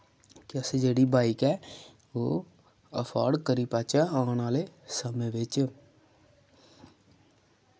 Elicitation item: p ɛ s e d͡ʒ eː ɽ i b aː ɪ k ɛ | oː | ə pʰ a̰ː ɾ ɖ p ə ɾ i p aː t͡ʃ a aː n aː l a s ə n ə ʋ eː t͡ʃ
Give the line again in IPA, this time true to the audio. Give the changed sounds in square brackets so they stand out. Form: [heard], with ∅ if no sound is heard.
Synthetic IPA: [k] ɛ s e d͡ʒ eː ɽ i b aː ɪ k ɛ | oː | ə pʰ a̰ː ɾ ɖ [k] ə ɾ i p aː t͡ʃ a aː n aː l [e] s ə [m] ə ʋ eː t͡ʃ